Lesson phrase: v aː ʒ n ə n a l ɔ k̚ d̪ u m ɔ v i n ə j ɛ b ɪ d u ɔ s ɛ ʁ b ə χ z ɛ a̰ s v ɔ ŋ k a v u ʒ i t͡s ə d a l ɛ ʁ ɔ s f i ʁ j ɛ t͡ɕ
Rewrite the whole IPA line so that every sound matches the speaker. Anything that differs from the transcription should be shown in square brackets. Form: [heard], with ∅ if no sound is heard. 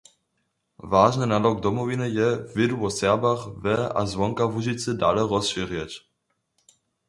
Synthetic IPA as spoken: v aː ʒ n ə n a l ɔ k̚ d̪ [ɔ] m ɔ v i n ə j ɛ [v] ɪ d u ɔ s ɛ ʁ b [a] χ [v] ɛ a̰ [z] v ɔ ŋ k a v u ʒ i t͡s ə d a l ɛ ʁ ɔ s [ʃ] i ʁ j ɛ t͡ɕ